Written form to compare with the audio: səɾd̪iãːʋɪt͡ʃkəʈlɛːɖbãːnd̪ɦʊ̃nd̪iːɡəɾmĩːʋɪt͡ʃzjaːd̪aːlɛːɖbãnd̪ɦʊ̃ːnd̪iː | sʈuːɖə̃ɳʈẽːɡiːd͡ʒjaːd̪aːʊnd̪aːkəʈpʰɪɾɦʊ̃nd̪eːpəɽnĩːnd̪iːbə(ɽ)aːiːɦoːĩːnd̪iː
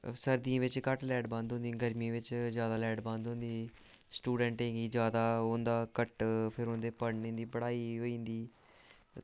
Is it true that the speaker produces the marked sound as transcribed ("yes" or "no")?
yes